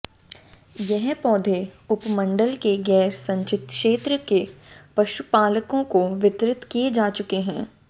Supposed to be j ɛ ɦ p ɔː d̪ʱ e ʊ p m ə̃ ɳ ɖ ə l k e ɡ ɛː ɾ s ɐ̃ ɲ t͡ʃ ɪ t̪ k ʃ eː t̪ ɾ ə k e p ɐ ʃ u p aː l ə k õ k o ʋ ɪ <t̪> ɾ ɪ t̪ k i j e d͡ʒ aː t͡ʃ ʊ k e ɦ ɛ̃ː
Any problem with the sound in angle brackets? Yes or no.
no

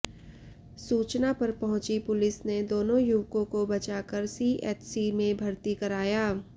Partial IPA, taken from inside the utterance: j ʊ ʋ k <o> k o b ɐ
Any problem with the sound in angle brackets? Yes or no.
yes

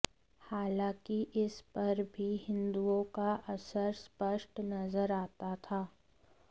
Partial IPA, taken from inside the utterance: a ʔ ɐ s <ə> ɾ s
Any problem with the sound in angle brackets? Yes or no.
no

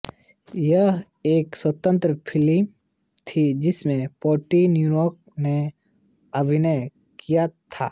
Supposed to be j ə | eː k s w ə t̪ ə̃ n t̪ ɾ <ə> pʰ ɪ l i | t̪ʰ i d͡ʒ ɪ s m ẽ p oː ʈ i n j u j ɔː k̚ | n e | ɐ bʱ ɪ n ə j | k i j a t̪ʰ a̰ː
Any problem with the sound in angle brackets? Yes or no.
no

